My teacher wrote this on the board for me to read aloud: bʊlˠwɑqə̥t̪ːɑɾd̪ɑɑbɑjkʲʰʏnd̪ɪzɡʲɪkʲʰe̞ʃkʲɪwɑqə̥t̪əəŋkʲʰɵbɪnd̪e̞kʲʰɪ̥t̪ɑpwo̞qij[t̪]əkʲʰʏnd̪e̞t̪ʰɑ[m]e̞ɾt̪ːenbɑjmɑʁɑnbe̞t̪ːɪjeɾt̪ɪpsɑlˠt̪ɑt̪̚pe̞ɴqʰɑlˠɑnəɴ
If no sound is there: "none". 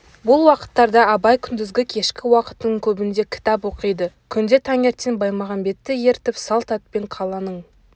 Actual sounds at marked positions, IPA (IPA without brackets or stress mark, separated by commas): d̪, ŋ